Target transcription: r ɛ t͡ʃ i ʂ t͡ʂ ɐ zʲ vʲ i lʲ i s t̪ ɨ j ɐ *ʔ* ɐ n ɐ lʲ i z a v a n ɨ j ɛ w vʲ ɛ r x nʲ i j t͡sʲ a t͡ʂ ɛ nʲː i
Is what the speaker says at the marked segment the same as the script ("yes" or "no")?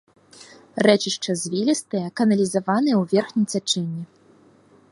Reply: no